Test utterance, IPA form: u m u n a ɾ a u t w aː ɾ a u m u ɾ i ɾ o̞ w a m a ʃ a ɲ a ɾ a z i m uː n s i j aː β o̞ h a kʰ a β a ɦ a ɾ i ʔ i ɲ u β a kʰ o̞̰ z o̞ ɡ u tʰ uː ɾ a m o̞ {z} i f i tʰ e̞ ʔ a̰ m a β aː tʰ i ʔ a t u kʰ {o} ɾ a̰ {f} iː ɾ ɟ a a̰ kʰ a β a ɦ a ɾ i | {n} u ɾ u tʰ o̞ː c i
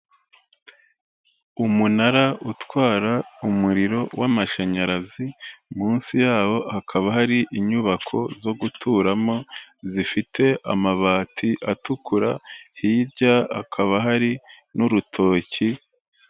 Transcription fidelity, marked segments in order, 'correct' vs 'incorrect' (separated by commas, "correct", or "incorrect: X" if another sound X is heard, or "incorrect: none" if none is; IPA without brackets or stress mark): correct, incorrect: u, incorrect: h, correct